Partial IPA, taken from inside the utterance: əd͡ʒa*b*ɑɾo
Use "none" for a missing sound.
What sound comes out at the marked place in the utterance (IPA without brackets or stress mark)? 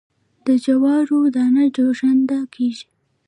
w